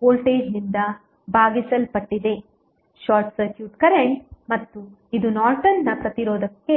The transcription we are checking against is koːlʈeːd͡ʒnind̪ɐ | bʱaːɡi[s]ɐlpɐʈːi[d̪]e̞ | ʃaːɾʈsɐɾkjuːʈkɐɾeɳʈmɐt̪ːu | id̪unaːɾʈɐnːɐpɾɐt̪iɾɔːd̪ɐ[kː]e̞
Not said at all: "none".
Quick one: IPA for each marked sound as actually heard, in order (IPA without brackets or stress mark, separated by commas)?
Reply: s, d̪, kː